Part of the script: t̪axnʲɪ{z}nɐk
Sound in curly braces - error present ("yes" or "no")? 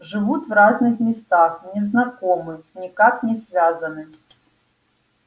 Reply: no